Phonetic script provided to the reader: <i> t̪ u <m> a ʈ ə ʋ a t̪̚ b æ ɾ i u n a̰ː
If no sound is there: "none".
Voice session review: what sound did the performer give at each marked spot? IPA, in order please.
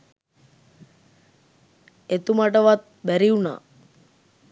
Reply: e, m

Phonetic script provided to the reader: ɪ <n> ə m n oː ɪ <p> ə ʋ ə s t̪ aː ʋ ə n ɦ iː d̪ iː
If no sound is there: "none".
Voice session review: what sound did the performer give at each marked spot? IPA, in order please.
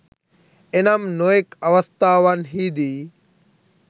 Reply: n, k

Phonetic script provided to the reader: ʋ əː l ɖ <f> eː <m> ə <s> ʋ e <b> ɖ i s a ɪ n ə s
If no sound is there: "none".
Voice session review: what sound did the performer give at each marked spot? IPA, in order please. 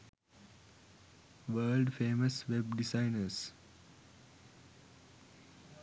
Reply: f, m, s, b

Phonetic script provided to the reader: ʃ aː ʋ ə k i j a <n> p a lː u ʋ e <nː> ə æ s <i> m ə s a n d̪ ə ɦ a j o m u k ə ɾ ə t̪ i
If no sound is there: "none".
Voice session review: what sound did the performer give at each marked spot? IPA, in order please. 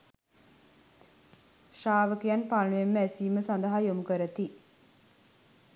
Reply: n, mː, iː

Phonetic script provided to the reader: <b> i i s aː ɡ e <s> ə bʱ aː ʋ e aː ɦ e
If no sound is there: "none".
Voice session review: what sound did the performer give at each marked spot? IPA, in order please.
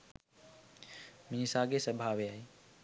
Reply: m, s

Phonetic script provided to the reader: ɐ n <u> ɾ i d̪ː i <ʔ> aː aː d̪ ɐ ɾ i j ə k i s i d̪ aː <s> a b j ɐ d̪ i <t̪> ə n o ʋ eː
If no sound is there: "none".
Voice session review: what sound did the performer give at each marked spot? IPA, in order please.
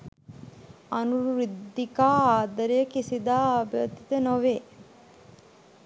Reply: u, k, none, t̪

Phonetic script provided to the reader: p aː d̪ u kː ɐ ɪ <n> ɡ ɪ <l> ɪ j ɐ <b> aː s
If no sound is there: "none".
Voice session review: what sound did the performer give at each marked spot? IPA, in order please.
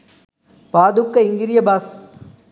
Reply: ŋ, ɾ, b

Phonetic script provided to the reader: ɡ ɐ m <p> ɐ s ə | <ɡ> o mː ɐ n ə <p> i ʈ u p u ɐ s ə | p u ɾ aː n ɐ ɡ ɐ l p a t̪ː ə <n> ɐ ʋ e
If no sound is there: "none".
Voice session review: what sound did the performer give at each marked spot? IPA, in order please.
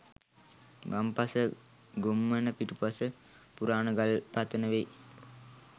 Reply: p, ɡ, p, n

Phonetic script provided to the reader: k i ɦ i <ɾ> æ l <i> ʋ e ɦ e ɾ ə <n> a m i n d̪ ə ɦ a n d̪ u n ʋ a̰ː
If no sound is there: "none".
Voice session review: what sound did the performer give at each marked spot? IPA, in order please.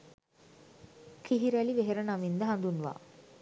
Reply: ɾ, i, n

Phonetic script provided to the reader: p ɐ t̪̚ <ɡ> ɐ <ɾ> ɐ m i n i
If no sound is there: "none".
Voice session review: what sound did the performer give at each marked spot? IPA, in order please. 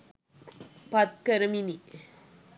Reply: k, ɾ

